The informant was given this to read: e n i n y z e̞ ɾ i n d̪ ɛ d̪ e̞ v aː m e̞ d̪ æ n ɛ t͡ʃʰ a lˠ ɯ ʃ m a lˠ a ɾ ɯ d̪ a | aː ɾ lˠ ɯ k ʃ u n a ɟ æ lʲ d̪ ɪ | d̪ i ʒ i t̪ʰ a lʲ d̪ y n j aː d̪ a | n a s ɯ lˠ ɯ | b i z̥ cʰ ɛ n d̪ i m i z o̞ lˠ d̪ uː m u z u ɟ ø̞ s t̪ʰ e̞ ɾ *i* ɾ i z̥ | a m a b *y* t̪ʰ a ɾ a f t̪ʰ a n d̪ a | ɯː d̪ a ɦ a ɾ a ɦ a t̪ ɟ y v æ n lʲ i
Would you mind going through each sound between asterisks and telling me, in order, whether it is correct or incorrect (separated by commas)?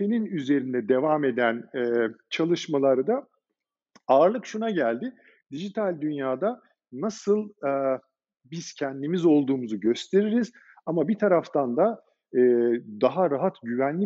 correct, incorrect